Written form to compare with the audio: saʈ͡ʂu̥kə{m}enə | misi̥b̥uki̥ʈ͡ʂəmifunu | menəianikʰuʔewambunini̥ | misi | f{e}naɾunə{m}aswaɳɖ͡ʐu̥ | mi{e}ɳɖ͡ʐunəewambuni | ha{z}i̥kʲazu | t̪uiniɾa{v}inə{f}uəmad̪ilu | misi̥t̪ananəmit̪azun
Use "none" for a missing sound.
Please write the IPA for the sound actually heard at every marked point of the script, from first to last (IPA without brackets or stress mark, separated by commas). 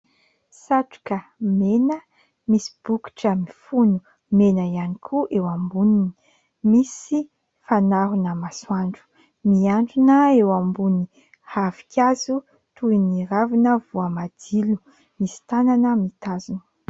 m, a, m, a, v, v, v